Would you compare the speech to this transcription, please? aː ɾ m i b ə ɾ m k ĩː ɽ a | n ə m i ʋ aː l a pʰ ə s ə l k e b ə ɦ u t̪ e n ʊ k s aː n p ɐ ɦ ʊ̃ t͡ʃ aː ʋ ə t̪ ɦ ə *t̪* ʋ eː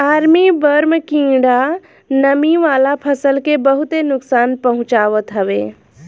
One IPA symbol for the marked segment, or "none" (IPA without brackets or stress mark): none